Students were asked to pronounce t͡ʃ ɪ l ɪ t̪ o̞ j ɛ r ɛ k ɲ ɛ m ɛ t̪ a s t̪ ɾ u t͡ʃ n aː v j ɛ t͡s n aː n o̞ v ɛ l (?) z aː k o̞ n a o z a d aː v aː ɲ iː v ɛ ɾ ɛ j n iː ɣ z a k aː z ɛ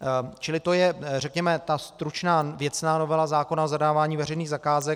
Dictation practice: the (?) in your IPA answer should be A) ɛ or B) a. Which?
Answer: B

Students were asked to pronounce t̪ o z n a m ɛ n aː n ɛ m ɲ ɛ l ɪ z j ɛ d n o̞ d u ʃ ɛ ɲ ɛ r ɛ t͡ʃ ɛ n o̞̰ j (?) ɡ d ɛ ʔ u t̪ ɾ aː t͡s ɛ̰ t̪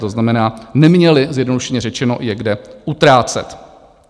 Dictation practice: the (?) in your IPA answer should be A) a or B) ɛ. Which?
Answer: B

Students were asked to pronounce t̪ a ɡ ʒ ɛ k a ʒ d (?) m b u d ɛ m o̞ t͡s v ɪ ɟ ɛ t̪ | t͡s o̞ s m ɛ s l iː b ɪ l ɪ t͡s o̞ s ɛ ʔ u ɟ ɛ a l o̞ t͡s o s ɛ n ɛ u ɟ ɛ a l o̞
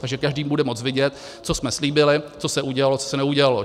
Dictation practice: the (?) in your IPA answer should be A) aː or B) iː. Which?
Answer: B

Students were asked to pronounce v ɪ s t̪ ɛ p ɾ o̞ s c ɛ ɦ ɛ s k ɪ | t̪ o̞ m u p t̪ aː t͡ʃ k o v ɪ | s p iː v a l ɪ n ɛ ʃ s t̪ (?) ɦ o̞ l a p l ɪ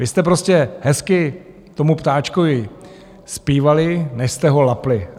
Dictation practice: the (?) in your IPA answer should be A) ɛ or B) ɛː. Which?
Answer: A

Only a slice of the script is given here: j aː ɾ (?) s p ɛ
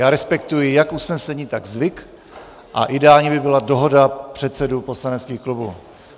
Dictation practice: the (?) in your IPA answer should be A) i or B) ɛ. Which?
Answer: B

